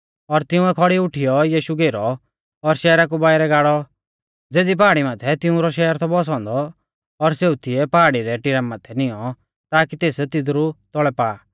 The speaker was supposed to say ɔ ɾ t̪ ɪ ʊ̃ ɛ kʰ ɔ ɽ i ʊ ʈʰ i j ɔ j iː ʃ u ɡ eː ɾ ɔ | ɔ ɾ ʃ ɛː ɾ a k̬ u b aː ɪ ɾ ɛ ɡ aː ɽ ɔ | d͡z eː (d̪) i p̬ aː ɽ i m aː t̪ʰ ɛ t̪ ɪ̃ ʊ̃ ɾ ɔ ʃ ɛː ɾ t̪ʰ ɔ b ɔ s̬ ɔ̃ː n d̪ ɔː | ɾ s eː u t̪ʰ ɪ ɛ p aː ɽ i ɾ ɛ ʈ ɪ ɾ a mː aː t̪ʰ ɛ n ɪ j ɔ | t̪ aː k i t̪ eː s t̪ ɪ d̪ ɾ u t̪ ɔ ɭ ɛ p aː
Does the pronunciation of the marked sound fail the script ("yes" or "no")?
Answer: no